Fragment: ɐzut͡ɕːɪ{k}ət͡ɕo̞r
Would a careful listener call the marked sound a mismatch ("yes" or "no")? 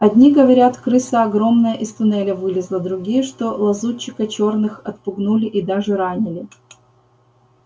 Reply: no